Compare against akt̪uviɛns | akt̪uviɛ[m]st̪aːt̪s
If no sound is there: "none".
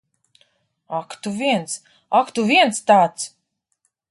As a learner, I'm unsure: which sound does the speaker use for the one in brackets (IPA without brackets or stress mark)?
n